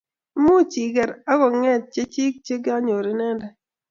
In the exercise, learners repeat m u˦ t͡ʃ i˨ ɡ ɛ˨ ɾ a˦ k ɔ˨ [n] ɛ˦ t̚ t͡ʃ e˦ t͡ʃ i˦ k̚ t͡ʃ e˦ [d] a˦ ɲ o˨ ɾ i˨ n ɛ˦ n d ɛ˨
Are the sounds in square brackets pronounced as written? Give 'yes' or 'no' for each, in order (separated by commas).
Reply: no, no